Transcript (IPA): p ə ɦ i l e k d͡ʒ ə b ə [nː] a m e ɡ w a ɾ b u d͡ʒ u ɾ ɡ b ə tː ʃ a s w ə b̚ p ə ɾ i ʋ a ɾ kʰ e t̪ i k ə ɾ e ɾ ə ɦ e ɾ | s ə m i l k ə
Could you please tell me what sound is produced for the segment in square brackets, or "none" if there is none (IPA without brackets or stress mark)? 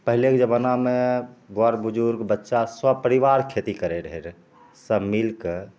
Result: n